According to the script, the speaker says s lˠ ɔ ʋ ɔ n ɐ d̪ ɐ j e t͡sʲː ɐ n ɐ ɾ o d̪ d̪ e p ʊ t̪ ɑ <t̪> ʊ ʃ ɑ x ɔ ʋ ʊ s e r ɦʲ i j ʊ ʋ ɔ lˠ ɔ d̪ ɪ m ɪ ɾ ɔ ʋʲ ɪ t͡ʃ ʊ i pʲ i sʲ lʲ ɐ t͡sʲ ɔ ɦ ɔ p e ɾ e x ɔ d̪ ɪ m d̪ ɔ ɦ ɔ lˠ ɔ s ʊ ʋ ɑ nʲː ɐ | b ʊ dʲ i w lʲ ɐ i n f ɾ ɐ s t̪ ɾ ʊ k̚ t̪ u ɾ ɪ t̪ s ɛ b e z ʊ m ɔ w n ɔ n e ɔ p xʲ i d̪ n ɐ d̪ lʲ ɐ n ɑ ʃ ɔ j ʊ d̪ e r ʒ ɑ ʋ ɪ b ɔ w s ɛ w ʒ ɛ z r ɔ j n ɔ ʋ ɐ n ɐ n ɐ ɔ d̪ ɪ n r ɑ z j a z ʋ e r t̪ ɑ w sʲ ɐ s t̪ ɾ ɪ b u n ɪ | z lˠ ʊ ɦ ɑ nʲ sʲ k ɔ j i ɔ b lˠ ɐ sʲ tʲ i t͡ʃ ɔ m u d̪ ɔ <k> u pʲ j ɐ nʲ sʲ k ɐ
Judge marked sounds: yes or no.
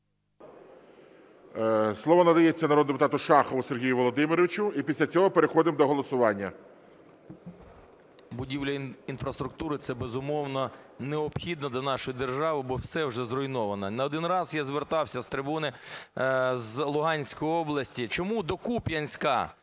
yes, yes

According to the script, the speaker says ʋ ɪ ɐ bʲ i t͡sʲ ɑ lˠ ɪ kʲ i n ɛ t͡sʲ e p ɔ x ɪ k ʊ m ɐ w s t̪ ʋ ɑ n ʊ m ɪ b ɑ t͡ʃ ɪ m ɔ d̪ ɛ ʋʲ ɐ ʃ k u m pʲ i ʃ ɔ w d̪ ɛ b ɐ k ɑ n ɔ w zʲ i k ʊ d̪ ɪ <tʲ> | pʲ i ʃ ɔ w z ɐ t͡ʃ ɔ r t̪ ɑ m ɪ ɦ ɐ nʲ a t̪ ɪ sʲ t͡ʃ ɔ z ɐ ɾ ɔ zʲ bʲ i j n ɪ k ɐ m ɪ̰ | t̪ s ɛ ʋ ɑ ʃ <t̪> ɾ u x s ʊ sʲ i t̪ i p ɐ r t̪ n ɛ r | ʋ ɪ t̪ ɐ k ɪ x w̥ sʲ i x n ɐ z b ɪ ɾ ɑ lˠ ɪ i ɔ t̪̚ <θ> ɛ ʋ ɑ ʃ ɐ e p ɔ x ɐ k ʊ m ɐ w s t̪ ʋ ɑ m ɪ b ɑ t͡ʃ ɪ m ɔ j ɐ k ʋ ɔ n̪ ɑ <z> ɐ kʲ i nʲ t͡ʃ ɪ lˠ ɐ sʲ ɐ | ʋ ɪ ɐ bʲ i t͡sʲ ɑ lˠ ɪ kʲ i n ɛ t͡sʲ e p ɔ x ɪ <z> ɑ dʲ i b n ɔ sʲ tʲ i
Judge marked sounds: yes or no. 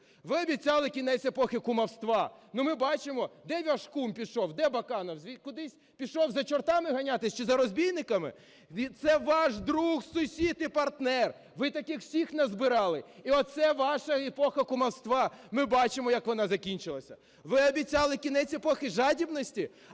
no, no, no, yes, no

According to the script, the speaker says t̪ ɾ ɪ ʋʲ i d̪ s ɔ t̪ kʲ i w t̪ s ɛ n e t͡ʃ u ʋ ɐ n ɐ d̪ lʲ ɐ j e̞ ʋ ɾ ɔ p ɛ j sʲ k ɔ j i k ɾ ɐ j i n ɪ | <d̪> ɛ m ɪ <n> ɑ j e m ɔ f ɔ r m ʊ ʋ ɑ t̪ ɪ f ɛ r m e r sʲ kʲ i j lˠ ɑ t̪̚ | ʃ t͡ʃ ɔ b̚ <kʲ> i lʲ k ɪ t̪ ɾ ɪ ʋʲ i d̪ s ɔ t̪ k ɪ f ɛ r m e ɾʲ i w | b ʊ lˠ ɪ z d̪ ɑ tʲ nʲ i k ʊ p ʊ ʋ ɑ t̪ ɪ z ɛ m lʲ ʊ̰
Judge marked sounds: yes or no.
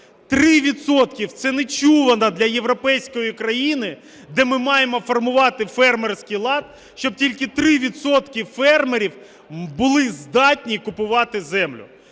yes, no, no

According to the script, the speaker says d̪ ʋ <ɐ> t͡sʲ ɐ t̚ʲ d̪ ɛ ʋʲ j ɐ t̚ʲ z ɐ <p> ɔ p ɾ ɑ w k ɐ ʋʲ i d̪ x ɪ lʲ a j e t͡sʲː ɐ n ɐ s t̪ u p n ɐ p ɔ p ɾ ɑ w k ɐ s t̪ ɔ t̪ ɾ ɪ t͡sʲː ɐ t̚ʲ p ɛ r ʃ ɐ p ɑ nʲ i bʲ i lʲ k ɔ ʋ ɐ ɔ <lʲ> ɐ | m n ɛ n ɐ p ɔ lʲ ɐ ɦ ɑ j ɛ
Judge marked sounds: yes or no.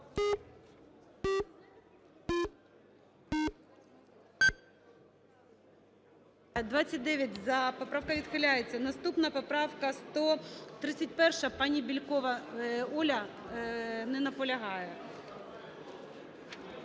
no, yes, yes

